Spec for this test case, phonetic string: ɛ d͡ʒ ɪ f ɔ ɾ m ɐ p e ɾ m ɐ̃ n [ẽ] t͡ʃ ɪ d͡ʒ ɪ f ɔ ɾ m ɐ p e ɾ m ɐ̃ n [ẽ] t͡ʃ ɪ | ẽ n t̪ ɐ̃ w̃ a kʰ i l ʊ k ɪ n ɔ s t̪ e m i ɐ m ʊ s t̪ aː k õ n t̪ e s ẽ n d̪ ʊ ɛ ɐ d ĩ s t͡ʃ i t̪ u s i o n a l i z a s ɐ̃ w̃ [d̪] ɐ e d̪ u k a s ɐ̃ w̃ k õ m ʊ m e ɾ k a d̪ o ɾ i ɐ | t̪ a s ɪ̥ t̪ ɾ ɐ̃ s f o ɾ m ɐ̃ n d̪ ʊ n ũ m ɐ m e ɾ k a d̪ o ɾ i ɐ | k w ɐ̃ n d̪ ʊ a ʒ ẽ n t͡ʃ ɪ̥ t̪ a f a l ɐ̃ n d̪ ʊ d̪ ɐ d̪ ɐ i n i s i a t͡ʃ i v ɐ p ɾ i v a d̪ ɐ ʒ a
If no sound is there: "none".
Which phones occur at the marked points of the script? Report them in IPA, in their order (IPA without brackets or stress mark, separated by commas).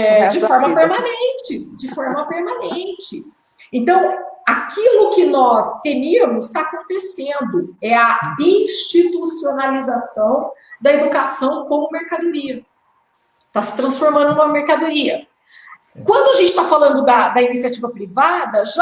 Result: ẽ, ẽ, d̪